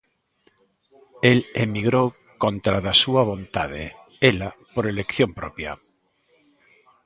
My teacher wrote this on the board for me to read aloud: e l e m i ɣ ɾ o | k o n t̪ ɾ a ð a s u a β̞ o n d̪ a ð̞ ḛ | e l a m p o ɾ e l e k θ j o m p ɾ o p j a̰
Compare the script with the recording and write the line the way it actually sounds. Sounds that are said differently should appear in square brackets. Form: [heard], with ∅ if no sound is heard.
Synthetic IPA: e l e m i ɣ ɾ o | k o n t̪ ɾ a ð a s u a β̞ o n [t̪] a ð̞ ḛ | e l a [∅] p o ɾ e l e k θ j o m p ɾ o p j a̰